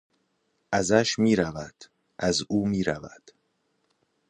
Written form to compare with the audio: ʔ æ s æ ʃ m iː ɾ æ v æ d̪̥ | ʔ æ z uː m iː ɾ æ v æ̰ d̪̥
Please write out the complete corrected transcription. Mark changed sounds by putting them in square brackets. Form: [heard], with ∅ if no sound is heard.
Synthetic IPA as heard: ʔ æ [z] æ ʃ m iː ɾ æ v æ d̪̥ | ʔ æ z uː m iː ɾ æ v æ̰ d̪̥